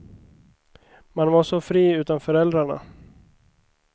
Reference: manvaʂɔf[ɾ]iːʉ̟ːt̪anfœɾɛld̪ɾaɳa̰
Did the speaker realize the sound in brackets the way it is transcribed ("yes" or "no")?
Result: yes